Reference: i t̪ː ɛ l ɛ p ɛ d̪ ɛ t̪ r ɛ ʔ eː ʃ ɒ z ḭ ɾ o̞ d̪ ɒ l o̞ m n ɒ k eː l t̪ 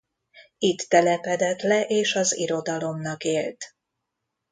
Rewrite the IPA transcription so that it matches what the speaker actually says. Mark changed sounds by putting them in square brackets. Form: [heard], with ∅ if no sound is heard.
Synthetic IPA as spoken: i t̪ː ɛ l ɛ p ɛ d̪ ɛ t̪ [l] ɛ ʔ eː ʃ ɒ z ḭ ɾ o̞ d̪ ɒ l o̞ m n ɒ k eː l t̪